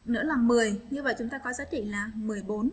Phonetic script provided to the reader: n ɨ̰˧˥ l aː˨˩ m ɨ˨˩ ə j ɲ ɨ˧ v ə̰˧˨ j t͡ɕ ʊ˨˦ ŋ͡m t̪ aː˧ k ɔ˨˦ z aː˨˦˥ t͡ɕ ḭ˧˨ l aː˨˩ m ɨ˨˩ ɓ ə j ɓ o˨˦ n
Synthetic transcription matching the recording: n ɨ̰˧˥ l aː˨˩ m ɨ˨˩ ə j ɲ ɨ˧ v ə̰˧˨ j t͡ɕ ʊ˨˦ ŋ͡m t̪ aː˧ k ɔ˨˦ z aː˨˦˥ t͡ɕ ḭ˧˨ l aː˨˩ m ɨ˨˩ ə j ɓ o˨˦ n